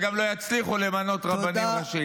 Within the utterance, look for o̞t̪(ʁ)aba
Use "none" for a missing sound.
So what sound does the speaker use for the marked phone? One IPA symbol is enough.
ʁ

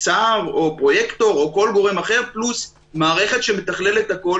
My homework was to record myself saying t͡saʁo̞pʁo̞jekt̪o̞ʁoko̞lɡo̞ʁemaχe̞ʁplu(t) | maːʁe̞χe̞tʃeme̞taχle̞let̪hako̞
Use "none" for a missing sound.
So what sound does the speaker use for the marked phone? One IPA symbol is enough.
s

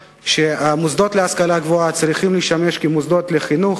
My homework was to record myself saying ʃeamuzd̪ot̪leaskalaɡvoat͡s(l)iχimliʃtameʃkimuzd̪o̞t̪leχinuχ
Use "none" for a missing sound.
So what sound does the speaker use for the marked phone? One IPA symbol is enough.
ɾ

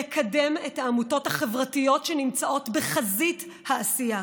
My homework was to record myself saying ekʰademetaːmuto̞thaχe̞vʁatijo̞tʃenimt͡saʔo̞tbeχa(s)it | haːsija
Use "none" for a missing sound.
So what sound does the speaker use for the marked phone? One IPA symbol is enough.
z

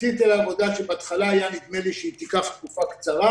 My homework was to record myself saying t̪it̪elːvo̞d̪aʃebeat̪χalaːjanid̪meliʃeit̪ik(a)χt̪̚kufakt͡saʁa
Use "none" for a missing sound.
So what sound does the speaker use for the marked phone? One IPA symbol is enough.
a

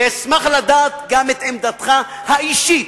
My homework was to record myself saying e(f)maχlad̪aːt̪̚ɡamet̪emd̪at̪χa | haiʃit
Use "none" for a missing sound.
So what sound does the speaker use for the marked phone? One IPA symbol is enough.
s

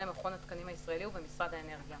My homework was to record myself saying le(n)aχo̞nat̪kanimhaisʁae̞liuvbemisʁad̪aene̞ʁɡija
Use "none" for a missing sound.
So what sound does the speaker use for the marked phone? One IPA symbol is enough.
m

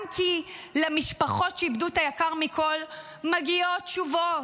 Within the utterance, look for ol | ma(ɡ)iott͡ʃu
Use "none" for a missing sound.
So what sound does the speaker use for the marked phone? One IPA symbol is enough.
ɡ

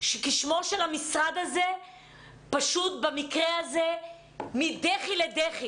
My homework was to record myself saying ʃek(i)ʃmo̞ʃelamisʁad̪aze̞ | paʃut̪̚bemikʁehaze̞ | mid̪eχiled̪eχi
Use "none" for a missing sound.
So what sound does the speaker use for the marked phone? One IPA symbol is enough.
i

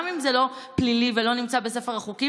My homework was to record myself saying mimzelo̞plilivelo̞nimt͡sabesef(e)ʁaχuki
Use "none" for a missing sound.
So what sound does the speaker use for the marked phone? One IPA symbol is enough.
e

